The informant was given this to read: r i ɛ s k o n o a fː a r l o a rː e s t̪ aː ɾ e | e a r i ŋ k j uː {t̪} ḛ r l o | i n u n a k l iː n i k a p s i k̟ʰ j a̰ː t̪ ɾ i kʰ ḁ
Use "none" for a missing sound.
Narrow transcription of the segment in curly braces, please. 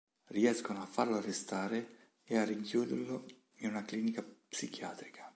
d̪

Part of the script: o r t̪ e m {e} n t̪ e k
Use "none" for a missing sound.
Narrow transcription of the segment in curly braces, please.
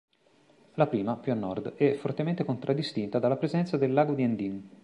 e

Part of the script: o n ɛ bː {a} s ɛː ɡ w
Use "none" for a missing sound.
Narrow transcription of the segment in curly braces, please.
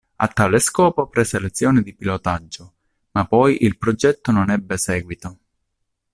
e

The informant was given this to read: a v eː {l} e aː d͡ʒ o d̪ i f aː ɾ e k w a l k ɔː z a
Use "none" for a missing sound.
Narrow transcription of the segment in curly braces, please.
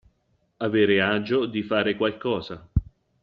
ɾ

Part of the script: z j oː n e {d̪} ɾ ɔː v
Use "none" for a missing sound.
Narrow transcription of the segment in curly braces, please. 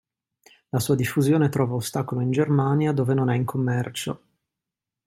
t̪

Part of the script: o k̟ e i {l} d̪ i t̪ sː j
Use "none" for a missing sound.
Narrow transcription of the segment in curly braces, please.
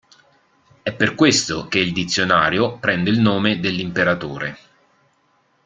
l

